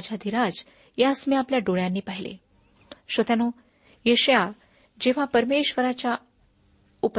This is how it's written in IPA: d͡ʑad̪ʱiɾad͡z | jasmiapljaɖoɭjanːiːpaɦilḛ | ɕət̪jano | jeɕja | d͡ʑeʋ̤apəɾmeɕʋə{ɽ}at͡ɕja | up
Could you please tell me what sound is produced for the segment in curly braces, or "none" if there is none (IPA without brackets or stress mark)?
ɾ